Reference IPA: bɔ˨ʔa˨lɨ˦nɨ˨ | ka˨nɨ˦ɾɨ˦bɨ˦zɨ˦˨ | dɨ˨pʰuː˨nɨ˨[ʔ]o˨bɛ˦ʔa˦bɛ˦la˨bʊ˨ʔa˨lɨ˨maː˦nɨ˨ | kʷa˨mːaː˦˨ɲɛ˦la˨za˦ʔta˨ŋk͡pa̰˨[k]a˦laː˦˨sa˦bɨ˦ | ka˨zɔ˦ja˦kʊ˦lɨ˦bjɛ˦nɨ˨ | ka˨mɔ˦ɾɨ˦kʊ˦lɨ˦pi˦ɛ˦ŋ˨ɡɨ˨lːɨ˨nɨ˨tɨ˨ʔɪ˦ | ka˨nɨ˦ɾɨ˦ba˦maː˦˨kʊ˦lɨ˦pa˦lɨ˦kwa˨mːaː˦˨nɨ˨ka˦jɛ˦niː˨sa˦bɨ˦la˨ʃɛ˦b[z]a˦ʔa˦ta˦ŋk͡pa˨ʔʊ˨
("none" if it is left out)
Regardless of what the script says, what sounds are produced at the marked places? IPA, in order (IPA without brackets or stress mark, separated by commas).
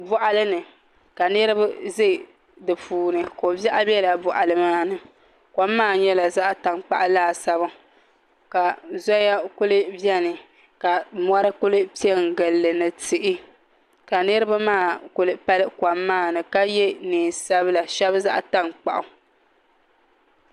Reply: k, ʔ, z